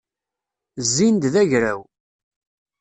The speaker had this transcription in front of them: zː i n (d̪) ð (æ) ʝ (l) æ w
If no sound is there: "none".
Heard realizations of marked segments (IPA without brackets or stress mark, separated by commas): d̪, æ, ɾ